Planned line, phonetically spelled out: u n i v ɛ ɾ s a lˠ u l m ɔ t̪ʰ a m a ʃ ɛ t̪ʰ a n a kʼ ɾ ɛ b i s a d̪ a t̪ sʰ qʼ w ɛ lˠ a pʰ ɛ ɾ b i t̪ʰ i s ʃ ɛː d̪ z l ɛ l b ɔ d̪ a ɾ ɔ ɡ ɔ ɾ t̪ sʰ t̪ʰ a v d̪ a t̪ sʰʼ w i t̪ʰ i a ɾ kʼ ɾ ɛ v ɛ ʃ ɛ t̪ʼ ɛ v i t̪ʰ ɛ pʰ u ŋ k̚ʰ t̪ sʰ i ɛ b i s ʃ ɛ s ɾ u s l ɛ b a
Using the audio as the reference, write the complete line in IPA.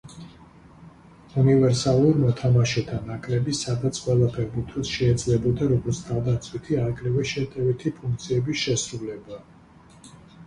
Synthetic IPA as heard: u n i v ɛ ɾ s a lˠ u ɾ m ɔ t̪ʰ a m a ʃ ɛ t̪ʰ a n a kʼ ɾ ɛ b i s a d̪ a t̪ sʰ qʼ w ɛ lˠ a pʰ ɛ ɾ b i t̪ʰ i s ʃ ɛː d̪ z l ɛ b ɔ d̪ a ɾ ɔ ɡ ɔ ɾ t̪ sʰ t̪ʰ a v d̪ a t̪ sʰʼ w i t̪ʰ i a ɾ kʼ ɾ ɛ v ɛ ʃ ɛ t̪ʼ ɛ v i t̪ʰ i pʰ u ŋ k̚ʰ t̪ sʰ i ɛ b i s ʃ ɛ s ɾ u l ɛ b a